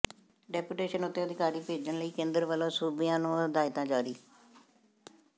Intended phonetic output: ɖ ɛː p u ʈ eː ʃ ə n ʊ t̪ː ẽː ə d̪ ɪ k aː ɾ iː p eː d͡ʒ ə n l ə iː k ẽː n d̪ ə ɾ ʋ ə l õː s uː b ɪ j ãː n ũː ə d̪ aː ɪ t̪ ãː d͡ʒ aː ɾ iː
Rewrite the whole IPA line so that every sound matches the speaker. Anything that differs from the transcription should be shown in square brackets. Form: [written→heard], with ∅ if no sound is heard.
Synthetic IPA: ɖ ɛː p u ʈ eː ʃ ə n ʊ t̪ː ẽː ə d̪ ɪ k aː ɾ iː p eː d͡ʒ ə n l ə iː k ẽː n d̪ ə ɾ ʋ ə l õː s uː b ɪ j ãː n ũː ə d̪ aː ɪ t̪ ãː d͡ʒ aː ɾ iː